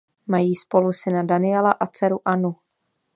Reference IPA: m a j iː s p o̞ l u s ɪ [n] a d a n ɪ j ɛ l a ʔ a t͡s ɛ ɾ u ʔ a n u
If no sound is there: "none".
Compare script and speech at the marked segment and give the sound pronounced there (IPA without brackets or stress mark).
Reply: n